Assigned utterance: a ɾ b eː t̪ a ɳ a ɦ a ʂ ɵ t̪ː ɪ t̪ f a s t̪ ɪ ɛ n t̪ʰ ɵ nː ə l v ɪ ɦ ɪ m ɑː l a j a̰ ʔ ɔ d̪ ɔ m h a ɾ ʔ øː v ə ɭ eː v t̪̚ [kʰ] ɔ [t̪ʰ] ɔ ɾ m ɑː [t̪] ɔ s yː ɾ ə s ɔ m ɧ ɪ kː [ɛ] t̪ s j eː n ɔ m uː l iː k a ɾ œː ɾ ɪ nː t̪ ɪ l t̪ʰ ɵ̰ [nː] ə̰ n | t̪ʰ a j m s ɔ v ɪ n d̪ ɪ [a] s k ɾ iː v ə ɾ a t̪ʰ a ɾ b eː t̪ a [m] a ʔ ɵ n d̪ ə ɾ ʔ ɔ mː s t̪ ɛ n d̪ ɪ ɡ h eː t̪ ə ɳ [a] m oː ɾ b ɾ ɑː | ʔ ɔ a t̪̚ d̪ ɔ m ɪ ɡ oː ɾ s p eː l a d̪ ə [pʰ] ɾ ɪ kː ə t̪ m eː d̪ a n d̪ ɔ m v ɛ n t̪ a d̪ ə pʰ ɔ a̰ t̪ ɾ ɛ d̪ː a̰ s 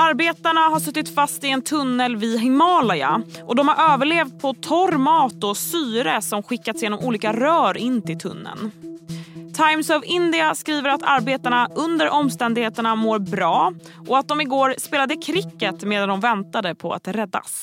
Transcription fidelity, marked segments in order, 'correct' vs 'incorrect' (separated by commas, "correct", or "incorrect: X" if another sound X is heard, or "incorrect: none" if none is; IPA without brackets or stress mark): incorrect: pʰ, correct, correct, incorrect: a, correct, correct, incorrect: ɳ, correct, incorrect: kʰ